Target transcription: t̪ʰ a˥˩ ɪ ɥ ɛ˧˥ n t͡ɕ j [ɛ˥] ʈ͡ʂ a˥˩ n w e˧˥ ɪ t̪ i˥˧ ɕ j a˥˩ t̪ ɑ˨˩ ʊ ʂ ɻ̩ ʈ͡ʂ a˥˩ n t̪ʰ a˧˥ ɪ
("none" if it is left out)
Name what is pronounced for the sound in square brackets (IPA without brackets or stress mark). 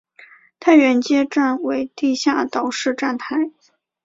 ɛ˥